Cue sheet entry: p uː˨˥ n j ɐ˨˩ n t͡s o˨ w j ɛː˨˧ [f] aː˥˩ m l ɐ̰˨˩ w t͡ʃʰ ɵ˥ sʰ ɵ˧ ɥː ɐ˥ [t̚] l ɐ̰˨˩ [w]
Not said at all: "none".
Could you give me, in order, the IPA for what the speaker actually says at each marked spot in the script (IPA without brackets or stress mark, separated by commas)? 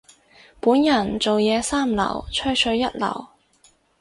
s, t̚, w